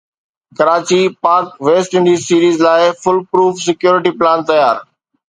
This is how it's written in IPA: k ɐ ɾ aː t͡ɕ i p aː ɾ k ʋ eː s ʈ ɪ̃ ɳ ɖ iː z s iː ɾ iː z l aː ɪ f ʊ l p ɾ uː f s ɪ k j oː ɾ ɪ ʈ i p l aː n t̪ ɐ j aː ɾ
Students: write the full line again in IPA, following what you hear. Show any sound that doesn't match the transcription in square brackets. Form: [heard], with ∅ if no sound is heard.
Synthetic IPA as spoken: k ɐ ɾ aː t͡ɕ i p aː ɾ k ʋ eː s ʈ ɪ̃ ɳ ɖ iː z s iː ɾ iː z l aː ɪ f ʊ l p ɾ uː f s ɪ k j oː ɾ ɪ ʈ i p l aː n t̪ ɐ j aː ɾ